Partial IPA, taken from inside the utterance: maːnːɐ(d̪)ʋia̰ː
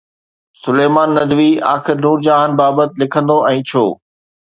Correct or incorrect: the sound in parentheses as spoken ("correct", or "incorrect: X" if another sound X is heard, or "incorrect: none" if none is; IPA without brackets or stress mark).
correct